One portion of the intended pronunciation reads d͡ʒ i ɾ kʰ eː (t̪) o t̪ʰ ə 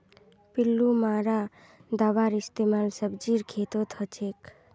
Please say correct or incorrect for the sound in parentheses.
correct